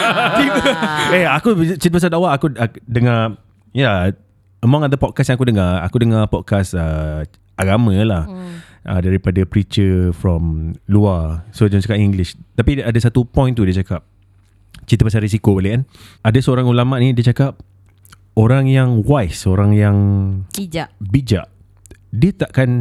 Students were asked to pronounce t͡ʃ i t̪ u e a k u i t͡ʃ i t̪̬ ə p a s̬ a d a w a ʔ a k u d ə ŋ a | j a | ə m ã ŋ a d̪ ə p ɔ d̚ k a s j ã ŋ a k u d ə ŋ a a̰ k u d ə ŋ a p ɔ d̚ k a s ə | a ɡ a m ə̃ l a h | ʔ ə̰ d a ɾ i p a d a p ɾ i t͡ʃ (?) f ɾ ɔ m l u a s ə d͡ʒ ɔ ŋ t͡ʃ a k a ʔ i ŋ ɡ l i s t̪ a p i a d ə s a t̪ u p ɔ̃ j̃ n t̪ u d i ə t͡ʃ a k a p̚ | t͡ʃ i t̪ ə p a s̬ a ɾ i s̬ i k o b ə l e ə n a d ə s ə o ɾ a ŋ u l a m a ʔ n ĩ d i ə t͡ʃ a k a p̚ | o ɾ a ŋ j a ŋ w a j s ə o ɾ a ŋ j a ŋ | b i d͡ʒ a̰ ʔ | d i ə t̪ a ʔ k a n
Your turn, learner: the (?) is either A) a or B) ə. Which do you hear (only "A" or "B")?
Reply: B